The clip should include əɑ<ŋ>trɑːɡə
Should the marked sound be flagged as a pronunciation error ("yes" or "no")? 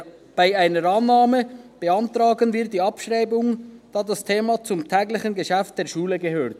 yes